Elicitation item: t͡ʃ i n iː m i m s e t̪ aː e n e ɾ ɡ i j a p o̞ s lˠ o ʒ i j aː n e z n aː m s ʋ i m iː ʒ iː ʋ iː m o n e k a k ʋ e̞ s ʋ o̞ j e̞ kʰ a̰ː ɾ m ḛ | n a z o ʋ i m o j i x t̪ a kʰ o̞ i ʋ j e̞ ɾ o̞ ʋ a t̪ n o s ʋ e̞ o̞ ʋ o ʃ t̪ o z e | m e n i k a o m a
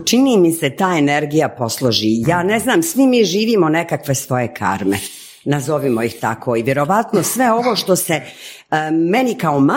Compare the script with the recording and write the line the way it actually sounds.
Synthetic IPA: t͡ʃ i n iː m i s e t̪ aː e n e ɾ ɡ i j a p o̞ s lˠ o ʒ i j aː n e z n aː m s ʋ i m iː ʒ iː ʋ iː m o n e k a k ʋ e̞ s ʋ o̞ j e̞ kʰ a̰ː ɾ m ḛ | n a z o ʋ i m o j i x t̪ a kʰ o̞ i ʋ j e̞ ɾ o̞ ʋ a t̪ n o s ʋ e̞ o̞ ʋ o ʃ t̪ o s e | m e n i k a o m a